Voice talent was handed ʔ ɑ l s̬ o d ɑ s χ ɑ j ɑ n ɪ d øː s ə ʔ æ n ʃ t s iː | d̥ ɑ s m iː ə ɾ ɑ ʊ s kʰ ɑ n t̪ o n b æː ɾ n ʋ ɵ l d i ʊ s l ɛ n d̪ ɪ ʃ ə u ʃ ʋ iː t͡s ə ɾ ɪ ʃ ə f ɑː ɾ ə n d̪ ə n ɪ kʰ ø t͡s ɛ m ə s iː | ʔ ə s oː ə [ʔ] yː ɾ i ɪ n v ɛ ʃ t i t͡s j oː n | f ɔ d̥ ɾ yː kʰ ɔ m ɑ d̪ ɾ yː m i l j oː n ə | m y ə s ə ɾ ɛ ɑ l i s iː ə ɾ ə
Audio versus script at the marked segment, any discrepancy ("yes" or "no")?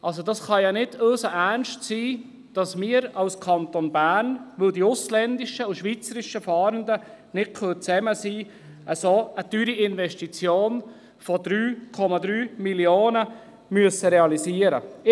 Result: yes